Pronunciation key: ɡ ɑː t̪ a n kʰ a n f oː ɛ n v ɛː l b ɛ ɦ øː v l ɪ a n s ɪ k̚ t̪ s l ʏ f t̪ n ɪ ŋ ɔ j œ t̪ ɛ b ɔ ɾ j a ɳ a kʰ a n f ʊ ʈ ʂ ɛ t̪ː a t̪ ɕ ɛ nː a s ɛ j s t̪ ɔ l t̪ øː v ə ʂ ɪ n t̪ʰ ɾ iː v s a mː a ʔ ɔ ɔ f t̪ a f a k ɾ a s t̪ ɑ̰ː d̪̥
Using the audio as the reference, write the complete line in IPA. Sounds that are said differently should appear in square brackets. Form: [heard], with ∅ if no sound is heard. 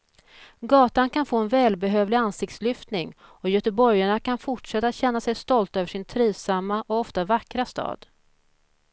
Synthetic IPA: ɡ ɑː t̪ a n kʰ a n f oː ɛ n v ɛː l b ɛ ɦ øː v l ɪ a n s ɪ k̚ t̪ s l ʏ f t̪ n ɪ ŋ ɔ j œ t̪ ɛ b ɔ ɾ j a ɳ a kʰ a n f ʊ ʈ ʂ ɛ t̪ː a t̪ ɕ ɛ nː a s ɛ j s t̪ ɔ l t̪ øː v ə ʂ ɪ n t̪ʰ ɾ iː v s a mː a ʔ ɔ ɔ f t̪ a [v] a k ɾ a s t̪ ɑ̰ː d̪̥

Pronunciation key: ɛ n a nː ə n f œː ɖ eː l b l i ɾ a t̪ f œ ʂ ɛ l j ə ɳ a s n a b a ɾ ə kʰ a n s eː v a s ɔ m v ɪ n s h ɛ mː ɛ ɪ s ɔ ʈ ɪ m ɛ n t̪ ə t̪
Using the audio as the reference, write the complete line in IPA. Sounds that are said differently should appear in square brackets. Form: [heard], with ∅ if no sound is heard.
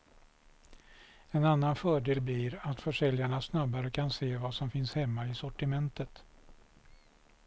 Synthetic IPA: ɛ n a nː [a] n f œː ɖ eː l b l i ɾ a t̪ f œ ʂ ɛ l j [a] ɳ a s n a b a ɾ ə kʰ a n s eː v a s ɔ m [f] ɪ n s h ɛ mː [a] ɪ s ɔ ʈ ɪ m ɛ n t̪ ə t̪

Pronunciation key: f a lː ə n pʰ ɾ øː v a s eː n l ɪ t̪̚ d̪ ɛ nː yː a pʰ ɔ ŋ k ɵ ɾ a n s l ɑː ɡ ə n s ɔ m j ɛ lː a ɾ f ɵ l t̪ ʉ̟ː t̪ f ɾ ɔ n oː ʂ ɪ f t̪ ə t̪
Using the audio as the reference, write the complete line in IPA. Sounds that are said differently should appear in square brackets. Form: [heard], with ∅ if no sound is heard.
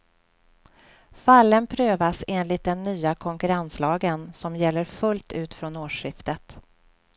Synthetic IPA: f a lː ə n pʰ ɾ øː v a s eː n l ɪ t̪̚ d̪ ɛ nː yː a [kʰ] ɔ ŋ k ɵ ɾ a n s l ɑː ɡ ə n s ɔ m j ɛ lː [ə] ɾ f ɵ l t̪ ʉ̟ː t̪ f ɾ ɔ n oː ʂ ɪ f t̪ ə t̪

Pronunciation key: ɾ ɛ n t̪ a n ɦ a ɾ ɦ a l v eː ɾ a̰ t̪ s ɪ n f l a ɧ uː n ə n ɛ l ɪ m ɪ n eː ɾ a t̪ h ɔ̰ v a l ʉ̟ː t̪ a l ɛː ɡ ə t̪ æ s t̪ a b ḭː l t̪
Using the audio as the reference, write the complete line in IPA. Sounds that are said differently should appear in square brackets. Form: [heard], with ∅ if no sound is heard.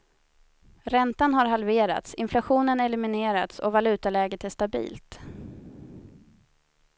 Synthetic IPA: ɾ ɛ n t̪ a n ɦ a ɾ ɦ a l v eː ɾ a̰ t̪ s ɪ n f l a ɧ uː n ə n ɛ l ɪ m ɪ n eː ɾ a t̪ [s] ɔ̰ v a l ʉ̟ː t̪ a l ɛː ɡ ə t̪ æ [ʂ] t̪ a b ḭː l t̪

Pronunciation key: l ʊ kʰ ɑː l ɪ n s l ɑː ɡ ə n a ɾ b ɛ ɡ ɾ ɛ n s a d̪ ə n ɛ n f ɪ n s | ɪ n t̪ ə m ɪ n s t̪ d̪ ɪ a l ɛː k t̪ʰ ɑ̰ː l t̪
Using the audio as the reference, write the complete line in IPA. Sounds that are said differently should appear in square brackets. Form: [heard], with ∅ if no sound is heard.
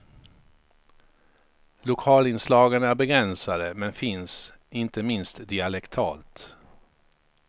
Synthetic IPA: l ʊ kʰ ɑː l ɪ n s l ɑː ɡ ə n [æ] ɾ b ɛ ɡ ɾ ɛ n s a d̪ ə [m] ɛ n f ɪ n s | ɪ n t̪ ə m ɪ n s t̪ d̪ ɪ a l [ɛ] k t̪ʰ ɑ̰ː l t̪

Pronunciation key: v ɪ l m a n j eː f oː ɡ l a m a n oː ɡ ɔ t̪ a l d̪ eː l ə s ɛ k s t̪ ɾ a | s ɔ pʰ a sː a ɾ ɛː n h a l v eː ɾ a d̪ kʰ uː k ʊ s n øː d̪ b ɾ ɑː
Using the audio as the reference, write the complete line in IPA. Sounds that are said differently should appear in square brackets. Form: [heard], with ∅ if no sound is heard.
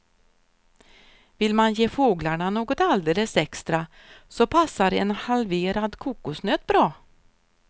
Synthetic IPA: v ɪ l m a n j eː f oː ɡ l a [ɳ] a n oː ɡ ɔ t̪ a l d̪ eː l ə s ɛ k s t̪ ɾ a | s ɔ pʰ a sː a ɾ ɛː n h a l v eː ɾ a d̪ kʰ uː k ʊ s n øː [t̪] b ɾ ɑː

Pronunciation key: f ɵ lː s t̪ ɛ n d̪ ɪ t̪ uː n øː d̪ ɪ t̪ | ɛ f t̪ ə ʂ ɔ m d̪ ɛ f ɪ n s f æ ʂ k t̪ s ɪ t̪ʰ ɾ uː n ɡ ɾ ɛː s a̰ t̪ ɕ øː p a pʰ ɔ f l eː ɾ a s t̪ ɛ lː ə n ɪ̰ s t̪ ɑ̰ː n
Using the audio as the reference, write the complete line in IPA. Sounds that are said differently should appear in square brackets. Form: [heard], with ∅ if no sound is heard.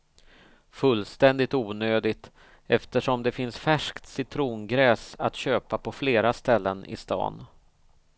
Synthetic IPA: f ɵ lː s t̪ ɛ n d̪ ɪ t̪ uː n øː d̪ ɪ t̪ | ɛ f t̪ ə ʂ ɔ m d̪ ɛ f ɪ n s f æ ʂ k t̪ s ɪ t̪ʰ ɾ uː n ɡ ɾ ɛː s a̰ t̪ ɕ øː p a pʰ ɔ f l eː ɾ a s t̪ ɛ lː ə n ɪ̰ s t̪ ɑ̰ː n

